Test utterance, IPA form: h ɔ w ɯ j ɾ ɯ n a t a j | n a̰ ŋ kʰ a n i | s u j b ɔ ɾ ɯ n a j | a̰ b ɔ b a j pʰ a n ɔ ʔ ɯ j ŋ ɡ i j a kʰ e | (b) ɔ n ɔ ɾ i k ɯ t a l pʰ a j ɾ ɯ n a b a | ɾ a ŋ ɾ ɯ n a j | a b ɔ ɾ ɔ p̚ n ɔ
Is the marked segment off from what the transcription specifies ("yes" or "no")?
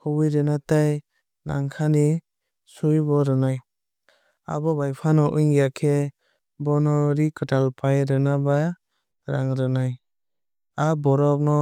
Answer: no